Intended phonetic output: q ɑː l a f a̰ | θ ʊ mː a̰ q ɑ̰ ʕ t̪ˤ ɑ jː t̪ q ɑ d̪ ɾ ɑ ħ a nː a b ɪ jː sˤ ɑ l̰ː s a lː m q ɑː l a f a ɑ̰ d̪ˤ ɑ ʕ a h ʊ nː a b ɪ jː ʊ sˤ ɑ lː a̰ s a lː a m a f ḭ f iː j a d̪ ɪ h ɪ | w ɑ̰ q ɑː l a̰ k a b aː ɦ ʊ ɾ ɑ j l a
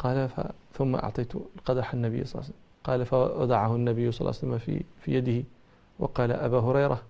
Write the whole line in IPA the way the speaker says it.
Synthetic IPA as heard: q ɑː l a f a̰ | θ ʊ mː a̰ ʔ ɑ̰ ʕ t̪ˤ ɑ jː t̪ q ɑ d̪ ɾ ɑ ħ a nː a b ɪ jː sˤ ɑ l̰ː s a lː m q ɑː l a f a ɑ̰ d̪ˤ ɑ ʕ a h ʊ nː a b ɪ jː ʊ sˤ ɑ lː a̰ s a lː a m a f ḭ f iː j a d̪ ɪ h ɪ | w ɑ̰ q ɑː l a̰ ʔ a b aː ɦ ʊ ɾ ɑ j ɾ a